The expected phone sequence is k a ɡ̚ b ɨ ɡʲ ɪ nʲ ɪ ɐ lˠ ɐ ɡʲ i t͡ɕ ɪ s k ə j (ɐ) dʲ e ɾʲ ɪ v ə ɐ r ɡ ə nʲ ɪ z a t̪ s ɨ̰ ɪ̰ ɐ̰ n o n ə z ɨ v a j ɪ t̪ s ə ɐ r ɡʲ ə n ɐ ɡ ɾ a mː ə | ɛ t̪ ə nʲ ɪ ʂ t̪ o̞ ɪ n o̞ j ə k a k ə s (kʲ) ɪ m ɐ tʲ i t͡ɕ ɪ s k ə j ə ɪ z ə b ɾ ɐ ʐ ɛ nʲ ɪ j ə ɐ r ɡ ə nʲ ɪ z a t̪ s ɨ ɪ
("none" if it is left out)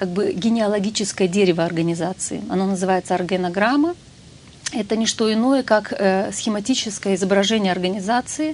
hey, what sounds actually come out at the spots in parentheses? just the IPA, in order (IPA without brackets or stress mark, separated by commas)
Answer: ə, xʲ